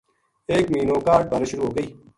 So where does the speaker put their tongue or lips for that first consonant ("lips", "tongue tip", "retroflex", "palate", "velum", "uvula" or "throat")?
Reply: velum